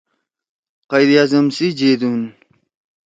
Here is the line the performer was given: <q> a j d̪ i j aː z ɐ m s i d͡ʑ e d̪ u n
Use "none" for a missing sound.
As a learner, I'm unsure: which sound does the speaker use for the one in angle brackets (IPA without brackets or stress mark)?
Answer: q